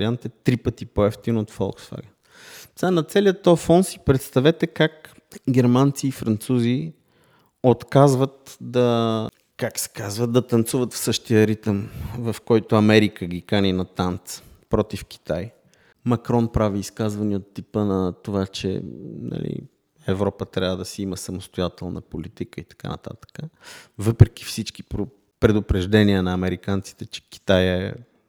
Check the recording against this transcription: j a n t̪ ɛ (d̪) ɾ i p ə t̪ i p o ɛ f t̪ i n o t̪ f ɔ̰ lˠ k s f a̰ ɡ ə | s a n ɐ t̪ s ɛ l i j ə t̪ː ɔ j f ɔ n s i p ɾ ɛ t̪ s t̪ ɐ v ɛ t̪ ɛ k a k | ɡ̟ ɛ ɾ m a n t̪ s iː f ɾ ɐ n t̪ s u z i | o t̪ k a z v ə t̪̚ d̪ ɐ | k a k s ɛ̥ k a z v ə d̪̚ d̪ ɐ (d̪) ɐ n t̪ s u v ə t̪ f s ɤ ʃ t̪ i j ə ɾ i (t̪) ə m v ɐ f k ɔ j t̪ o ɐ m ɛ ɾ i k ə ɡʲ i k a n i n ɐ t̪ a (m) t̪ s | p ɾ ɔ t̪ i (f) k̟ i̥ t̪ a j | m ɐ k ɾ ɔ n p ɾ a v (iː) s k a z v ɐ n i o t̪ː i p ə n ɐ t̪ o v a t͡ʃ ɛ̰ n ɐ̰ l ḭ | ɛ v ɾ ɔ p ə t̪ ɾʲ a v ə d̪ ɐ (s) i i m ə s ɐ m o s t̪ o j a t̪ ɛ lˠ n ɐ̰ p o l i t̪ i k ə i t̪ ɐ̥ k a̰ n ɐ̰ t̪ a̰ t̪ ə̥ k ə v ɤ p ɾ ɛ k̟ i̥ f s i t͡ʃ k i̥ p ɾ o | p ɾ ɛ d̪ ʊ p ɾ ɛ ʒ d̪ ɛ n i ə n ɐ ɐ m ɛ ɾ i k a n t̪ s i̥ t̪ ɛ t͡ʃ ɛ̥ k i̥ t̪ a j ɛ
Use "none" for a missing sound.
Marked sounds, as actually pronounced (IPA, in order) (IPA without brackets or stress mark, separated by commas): t̪, t̪, t̪, n, f, iː, s